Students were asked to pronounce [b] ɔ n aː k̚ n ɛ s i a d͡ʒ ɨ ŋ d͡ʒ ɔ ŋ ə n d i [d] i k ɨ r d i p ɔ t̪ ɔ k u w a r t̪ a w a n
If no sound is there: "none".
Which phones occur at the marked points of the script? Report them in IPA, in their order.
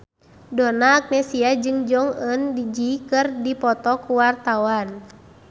d, d͡ʒ

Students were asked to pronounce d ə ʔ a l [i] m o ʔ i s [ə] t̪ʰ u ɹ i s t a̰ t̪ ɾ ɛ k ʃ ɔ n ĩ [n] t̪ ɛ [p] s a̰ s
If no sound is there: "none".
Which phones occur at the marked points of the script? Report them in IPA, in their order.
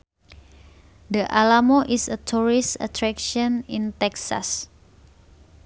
a, ə, n, k

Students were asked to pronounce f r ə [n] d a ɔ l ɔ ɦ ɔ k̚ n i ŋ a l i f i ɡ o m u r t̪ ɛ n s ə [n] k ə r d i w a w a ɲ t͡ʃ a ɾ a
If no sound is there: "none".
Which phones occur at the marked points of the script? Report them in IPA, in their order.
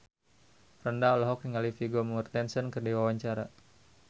n, n

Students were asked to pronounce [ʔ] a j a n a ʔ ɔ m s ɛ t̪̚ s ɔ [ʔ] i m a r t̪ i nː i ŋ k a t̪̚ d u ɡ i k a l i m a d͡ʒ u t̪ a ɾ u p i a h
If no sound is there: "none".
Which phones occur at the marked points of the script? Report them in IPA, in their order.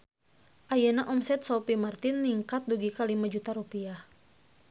ʔ, p

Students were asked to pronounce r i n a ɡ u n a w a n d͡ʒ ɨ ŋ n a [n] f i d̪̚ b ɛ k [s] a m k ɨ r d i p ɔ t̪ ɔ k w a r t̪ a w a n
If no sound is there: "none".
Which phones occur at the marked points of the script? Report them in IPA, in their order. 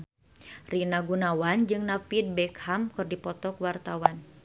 none, h

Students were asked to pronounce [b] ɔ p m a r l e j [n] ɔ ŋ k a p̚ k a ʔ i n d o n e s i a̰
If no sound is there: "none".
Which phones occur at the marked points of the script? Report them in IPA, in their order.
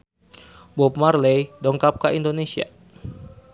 b, d

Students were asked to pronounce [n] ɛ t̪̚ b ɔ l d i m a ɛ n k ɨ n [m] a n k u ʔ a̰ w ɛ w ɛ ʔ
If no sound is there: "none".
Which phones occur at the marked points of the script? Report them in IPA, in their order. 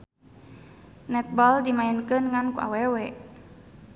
n, ŋ

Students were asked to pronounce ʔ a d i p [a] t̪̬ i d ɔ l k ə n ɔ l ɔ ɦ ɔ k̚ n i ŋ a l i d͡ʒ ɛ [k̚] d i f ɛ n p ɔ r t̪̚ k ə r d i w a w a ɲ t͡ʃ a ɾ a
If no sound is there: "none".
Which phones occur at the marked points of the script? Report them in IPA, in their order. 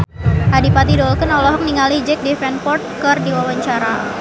a, k̚

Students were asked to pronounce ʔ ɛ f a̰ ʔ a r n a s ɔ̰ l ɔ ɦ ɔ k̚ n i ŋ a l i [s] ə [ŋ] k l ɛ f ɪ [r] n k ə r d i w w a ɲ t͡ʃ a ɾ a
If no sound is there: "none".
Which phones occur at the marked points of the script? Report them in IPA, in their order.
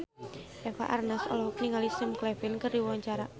s, m, none

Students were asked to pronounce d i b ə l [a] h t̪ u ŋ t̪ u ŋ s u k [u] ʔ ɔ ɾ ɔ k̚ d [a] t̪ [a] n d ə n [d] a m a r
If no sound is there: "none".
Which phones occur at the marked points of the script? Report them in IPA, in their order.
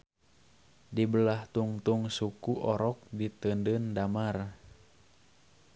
a, u, i, ə, d

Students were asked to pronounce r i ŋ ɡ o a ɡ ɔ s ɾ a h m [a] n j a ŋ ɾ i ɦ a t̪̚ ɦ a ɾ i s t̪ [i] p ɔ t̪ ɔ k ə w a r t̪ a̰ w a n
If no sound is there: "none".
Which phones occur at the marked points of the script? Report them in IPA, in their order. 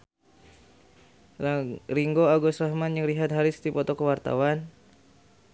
a, i

